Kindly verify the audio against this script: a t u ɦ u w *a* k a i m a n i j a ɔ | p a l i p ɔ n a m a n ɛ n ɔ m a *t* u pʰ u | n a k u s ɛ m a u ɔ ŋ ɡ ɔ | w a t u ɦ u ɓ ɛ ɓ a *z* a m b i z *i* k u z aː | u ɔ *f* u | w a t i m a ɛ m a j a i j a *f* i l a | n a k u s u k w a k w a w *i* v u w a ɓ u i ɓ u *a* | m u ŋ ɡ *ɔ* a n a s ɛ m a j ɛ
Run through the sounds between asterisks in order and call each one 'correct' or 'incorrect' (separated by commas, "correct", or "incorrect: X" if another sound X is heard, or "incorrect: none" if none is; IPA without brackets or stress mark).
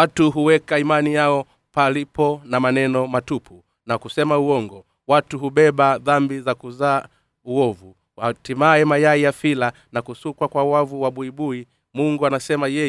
incorrect: ɛ, correct, incorrect: ð, incorrect: a, incorrect: v, correct, incorrect: a, incorrect: i, incorrect: u